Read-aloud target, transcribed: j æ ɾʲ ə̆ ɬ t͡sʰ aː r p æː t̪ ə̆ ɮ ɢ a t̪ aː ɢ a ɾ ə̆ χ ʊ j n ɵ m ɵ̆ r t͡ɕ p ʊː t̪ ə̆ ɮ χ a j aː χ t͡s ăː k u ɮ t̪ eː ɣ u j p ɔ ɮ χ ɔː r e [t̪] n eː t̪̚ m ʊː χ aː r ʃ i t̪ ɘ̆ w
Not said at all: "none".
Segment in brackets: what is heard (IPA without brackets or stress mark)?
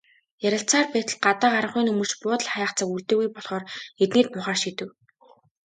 t̪